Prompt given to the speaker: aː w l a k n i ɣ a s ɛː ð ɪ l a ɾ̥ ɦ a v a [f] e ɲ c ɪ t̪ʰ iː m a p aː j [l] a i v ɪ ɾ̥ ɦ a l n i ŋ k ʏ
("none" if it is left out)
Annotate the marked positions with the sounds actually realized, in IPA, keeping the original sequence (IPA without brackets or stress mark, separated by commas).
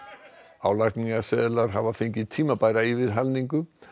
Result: f, ɾ